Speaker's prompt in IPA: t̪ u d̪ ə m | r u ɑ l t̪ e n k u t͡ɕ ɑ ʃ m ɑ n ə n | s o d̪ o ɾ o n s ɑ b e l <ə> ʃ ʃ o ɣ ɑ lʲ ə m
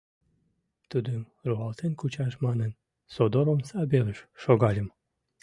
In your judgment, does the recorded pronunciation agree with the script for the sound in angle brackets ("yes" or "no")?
yes